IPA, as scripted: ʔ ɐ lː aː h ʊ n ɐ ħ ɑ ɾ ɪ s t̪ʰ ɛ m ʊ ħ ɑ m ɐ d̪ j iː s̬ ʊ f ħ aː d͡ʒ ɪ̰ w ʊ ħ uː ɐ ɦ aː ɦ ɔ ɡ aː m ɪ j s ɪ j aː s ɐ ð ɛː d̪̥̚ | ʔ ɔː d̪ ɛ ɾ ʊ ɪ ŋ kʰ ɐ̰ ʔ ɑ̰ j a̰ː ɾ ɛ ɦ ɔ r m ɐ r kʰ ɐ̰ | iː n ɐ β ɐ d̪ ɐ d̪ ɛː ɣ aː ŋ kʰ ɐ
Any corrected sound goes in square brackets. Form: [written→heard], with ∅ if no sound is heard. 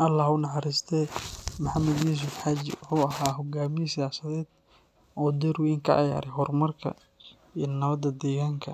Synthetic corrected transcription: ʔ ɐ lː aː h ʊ n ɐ ħ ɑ ɾ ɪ s t̪ʰ ɛ m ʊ ħ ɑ m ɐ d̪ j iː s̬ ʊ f ħ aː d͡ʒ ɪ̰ w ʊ ħ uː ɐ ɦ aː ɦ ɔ ɡ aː m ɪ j s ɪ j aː s ɐ ð ɛː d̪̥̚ | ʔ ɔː d̪ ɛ ɾ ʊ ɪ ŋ kʰ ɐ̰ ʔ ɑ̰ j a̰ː ɾ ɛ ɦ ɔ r m ɐ r kʰ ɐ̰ | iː n ɐ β ɐ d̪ ɐ d̪ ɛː ɣ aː ŋ kʰ ɐ